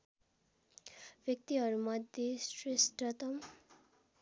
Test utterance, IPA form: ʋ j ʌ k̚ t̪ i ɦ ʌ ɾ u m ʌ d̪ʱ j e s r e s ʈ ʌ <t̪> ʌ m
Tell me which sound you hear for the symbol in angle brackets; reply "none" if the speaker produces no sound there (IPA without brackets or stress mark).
t̪